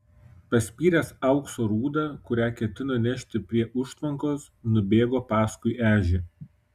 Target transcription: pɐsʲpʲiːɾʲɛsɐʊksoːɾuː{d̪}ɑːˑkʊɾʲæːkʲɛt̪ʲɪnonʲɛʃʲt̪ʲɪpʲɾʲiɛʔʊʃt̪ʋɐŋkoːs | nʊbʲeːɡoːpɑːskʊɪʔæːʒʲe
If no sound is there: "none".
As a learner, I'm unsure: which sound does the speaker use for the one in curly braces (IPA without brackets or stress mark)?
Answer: d̪